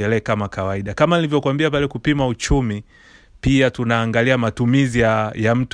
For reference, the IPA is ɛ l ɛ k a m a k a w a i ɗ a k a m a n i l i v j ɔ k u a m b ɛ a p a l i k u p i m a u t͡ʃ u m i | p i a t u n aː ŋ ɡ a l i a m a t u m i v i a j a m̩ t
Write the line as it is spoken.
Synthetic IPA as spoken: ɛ l ɛ k a m a k a w a i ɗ a k a m a n i l i v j ɔ k w a m b i a p a l ɛ k u p i m a u t͡ʃ u m i | p i a t u n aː ŋ ɡ a l i a m a t u m i z i a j a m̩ t